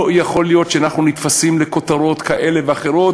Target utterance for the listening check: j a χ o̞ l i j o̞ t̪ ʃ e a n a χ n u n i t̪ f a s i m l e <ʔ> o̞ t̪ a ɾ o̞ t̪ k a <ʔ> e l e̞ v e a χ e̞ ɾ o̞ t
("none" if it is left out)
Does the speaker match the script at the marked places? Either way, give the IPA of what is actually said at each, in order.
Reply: k, ʔ

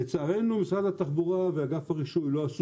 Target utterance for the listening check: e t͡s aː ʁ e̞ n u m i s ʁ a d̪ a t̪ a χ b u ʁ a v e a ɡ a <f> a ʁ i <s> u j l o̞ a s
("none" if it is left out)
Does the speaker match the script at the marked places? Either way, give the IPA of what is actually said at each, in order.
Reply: f, ʃ

